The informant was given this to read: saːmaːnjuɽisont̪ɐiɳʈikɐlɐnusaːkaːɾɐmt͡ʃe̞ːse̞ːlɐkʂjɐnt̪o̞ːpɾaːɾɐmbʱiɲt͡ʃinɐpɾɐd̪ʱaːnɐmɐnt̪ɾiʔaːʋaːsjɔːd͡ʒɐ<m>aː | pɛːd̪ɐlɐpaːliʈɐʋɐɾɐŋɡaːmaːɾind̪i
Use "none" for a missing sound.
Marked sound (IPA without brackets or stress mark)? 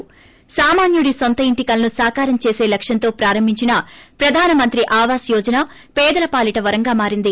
n